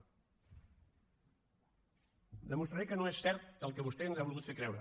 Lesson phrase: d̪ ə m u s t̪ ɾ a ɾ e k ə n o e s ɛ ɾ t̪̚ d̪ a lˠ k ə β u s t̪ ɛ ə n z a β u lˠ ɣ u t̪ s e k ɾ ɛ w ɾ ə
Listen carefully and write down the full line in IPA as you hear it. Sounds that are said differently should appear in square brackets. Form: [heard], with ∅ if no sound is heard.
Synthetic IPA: d̪ ə m u s t̪ ɾ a ɾ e k ə n o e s ɛ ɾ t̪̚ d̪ [ə] lˠ k ə β u s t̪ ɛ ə n z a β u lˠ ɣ u t̪ [f] e k ɾ ɛ w ɾ ə